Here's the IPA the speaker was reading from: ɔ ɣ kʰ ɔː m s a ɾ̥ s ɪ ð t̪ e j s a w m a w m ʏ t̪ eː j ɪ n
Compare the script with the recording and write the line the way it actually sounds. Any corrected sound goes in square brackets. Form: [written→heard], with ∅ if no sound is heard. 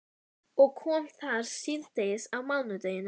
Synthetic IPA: ɔ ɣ kʰ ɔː m [s→θ] a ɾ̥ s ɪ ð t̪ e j s a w m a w [m→n] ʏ t̪ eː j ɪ n